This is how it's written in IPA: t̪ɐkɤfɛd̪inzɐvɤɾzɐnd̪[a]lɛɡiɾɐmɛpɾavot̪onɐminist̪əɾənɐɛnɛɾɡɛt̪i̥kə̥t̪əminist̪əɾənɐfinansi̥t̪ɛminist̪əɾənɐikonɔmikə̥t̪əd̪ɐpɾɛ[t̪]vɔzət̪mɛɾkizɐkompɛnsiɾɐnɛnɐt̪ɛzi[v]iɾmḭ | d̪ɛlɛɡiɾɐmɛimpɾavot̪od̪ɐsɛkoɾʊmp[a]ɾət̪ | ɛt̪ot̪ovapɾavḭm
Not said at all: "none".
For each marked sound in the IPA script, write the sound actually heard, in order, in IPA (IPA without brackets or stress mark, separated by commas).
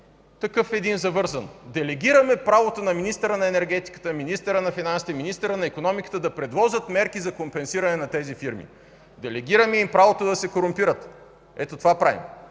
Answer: ɛ, d̪, f, i